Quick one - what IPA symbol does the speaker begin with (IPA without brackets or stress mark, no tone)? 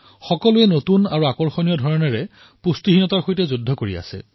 x